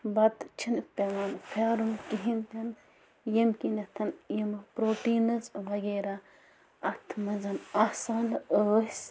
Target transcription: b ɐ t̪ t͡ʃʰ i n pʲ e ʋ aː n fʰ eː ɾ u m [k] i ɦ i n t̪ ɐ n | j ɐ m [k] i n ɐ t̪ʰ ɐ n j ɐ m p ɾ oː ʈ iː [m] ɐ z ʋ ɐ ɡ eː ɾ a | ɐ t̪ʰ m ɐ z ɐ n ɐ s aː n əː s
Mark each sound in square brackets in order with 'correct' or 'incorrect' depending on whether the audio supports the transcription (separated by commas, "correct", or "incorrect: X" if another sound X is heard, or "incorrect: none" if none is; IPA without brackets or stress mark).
correct, correct, incorrect: n